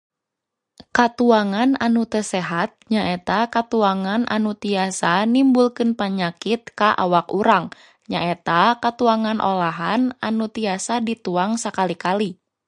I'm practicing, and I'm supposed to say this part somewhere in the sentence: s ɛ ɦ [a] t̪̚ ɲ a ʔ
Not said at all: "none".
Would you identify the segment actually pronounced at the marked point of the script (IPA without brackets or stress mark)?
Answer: a